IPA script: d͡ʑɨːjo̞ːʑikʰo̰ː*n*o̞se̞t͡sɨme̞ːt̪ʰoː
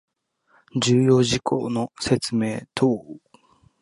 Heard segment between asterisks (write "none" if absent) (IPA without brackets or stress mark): n